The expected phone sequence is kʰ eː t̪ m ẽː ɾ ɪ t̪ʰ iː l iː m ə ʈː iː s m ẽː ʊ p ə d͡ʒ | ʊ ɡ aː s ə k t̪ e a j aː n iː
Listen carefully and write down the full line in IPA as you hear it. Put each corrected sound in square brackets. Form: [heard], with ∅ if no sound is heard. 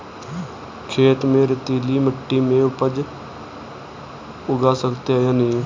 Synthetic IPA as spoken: kʰ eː t̪ m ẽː ɾ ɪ [t̪] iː l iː m ə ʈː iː [∅] m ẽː ʊ p ə d͡ʒ | ʊ ɡ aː s ə k t̪ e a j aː n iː